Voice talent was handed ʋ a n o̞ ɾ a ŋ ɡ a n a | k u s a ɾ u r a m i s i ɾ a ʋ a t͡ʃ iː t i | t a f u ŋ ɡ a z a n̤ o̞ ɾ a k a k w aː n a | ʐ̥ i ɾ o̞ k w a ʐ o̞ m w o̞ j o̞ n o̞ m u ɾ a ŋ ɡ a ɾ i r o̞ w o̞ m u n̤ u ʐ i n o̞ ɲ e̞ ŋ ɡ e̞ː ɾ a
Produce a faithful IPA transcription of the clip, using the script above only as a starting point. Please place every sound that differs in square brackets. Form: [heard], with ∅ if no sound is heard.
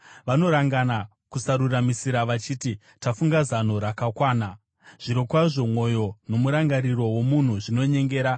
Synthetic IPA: ʋ a n o̞ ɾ a ŋ ɡ a n a | k u s a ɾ u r a m i s i ɾ a ʋ a t͡ʃ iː t i | t a f u ŋ ɡ a z a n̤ o̞ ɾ a k a k w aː n a | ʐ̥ i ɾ o̞ k w a ʐ o̞ m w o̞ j o̞ n o̞ m u ɾ a ŋ ɡ a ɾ i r o̞ w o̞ m u n̤ u ʐ i n o̞ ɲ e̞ ŋ ɡ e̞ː ɾ a